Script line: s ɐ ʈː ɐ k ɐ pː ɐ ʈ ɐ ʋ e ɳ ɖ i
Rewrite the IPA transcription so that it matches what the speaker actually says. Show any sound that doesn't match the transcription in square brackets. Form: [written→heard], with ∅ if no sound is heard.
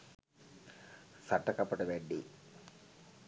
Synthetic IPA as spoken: s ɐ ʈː ɐ k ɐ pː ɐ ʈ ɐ ʋ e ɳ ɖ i